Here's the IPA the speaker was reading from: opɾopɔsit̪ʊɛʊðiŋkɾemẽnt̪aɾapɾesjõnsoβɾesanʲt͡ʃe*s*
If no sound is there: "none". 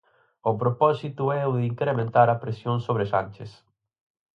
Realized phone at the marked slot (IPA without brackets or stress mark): s